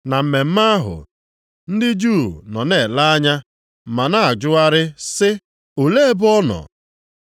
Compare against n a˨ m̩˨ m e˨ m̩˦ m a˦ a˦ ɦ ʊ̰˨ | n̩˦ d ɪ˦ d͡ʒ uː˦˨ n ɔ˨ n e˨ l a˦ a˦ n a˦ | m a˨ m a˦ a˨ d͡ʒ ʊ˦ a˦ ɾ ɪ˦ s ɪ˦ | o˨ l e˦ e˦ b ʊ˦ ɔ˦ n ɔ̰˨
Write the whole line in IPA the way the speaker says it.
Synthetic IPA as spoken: n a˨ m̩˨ m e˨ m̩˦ m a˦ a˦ ɦ ʊ̰˨ | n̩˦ d ɪ˦ d͡ʒ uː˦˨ n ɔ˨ n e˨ l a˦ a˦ ɲ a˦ | m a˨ n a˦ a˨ d͡ʒ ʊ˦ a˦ ɾ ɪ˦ s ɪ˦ | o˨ l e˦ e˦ b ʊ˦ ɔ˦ n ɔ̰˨